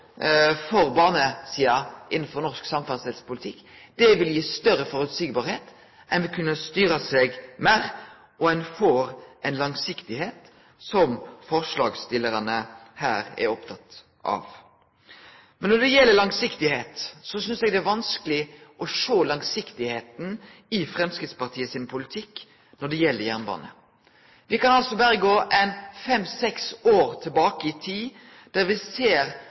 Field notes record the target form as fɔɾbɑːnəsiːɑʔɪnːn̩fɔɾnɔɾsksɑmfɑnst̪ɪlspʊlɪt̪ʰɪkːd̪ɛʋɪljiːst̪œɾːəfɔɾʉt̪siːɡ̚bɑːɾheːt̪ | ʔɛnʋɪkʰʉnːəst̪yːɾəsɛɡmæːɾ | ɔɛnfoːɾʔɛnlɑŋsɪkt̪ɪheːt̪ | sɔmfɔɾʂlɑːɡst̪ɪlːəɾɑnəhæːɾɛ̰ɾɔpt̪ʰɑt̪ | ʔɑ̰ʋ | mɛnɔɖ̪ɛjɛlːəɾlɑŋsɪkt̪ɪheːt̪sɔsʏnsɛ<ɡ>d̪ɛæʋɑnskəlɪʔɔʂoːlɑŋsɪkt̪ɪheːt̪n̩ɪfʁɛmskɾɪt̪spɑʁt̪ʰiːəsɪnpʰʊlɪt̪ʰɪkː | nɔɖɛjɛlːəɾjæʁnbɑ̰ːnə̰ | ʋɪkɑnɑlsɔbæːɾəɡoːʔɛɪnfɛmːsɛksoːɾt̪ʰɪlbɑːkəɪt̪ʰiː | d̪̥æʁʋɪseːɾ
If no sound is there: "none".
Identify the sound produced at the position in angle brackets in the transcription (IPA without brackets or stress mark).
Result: ɡ